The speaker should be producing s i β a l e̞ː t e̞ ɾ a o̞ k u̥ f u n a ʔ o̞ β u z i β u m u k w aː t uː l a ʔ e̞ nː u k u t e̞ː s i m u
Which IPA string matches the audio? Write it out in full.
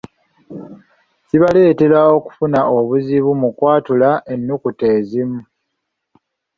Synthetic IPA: s i β a l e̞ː t e̞ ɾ a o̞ k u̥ f u n a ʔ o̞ β u z i β u m u k w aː t u l a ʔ e̞ nː u k u t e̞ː z i m u